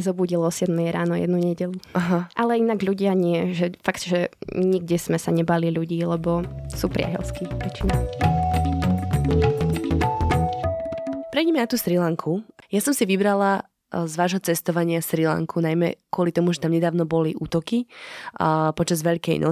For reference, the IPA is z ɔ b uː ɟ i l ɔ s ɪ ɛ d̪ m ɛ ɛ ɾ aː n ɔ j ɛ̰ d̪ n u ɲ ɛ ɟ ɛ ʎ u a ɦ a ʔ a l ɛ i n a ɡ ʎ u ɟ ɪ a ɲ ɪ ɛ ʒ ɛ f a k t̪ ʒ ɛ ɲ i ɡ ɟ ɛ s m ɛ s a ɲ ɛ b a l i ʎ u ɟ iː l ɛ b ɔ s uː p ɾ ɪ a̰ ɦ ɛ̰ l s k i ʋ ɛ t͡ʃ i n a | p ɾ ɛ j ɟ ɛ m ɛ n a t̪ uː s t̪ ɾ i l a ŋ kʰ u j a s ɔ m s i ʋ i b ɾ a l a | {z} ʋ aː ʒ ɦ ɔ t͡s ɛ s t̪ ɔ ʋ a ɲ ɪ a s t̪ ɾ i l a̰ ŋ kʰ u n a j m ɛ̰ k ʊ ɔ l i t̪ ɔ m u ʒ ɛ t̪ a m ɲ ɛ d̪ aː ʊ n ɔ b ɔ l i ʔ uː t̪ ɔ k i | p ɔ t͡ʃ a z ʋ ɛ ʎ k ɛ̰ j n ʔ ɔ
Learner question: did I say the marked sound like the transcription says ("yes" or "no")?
yes